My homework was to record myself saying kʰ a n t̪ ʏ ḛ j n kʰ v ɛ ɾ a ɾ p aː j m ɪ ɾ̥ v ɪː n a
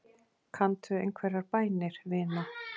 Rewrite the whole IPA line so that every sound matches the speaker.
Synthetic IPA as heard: kʰ a n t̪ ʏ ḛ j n kʰ v ɛ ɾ a ɾ p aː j n ɪ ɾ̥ v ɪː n a